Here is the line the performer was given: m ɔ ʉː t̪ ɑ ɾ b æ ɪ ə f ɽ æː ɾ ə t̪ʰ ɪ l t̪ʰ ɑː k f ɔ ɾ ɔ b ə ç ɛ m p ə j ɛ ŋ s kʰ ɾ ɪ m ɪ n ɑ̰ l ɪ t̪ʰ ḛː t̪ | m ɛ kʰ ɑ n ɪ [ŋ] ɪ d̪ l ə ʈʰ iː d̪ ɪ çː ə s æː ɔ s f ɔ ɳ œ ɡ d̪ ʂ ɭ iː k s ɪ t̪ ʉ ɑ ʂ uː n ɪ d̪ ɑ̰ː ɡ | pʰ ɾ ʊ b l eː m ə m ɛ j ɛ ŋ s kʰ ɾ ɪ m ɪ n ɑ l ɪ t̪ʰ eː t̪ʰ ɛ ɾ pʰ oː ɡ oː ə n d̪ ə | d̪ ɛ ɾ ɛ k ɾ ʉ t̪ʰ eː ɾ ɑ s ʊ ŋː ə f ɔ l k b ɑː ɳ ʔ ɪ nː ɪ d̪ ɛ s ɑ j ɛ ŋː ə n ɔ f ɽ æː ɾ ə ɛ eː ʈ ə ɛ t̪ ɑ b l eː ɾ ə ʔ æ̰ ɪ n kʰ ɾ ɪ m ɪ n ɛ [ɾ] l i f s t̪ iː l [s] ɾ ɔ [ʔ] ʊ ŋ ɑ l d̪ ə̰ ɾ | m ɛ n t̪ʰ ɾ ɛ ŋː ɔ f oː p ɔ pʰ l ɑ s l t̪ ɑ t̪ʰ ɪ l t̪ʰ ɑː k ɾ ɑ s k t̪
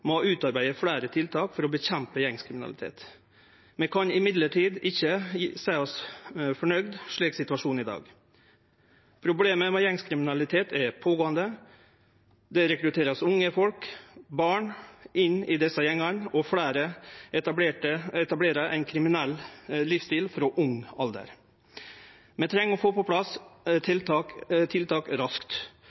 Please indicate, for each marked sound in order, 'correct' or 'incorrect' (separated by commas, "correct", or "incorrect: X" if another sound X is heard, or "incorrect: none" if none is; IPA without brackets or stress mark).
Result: incorrect: m, incorrect: l, incorrect: f, correct